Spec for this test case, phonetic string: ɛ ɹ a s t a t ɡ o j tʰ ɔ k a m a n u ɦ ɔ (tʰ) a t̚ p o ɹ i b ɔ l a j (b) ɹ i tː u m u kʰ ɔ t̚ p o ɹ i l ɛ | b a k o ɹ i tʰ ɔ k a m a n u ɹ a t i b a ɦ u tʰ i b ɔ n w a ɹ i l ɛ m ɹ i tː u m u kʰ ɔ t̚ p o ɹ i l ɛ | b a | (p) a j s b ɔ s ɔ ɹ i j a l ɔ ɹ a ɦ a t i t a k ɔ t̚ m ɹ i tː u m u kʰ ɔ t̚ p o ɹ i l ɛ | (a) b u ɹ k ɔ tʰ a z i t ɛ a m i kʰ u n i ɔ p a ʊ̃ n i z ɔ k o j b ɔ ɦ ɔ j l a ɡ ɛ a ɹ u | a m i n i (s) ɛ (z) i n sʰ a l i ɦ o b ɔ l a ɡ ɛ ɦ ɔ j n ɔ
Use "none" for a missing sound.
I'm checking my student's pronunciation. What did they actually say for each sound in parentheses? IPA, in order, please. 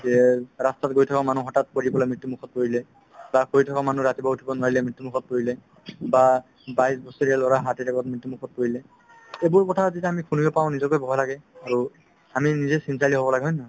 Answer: t, m, b, e, z, s

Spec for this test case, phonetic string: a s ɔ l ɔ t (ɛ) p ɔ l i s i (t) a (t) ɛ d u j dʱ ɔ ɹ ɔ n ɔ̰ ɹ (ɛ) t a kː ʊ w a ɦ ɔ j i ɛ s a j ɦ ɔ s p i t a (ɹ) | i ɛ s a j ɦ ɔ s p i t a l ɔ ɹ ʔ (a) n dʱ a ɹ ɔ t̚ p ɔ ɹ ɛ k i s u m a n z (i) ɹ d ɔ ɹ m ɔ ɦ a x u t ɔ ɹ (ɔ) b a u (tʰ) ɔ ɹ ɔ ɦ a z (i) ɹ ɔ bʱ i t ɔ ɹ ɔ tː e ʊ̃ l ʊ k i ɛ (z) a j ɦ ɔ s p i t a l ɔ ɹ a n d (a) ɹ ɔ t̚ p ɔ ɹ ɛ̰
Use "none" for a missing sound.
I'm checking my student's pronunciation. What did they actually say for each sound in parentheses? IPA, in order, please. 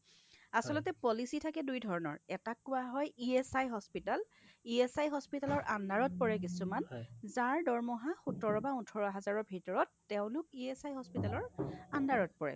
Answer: ɛ, tʰ, k, ɛ, l, a, a, ɔ, tʰ, a, s, a

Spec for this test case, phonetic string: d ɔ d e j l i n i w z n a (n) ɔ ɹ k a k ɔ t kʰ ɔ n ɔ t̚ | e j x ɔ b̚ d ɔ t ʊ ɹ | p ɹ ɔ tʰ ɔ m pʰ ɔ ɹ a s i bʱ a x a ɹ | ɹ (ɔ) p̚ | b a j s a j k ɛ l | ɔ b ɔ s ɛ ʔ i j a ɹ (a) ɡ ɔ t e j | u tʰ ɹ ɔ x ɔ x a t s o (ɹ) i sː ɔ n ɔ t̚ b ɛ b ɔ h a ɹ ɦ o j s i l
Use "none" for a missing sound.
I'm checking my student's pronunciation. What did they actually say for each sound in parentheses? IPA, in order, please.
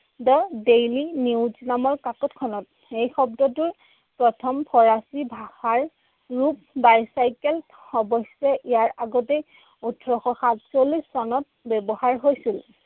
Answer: m, u, a, l

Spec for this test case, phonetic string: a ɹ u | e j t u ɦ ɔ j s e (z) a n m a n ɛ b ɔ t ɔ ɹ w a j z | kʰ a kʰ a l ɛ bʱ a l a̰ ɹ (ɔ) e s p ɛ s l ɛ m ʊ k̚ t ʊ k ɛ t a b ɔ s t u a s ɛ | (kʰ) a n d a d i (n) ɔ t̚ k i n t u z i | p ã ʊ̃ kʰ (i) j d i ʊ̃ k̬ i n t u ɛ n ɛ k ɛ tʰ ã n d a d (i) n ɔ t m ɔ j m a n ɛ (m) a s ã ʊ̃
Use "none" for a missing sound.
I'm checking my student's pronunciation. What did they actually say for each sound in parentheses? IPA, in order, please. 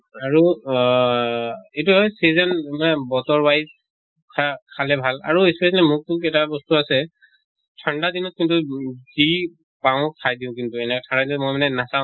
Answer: z, u, tʰ, n, a, i, n

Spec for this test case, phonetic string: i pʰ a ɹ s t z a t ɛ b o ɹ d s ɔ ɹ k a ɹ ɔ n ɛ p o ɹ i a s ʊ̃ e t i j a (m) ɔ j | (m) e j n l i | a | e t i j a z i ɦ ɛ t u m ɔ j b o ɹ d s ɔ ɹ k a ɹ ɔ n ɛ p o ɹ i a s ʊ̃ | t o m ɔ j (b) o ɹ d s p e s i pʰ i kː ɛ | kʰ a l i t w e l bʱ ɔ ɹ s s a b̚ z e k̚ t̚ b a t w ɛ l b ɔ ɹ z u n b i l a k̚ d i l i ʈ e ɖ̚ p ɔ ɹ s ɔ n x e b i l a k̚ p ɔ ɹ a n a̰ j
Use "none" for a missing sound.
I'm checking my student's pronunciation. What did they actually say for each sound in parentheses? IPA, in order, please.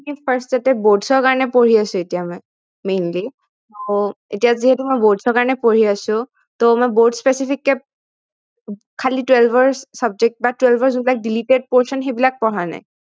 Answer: m, m, b

